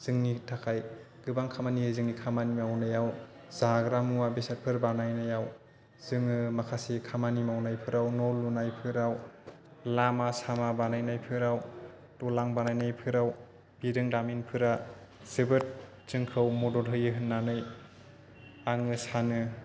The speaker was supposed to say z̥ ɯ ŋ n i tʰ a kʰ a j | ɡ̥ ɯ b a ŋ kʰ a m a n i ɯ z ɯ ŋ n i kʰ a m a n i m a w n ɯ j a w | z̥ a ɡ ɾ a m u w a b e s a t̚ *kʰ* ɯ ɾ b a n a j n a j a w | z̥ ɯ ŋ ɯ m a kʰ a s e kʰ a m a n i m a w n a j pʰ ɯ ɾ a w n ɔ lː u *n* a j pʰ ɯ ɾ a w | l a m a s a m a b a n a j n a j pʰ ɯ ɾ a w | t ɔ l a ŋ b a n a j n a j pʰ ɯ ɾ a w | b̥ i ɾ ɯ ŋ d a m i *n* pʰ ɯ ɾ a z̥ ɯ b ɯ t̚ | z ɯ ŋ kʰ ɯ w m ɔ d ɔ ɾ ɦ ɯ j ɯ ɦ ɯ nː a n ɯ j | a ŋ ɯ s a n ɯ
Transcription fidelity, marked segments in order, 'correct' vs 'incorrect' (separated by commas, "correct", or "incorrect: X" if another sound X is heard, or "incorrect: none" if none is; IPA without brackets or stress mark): incorrect: pʰ, correct, correct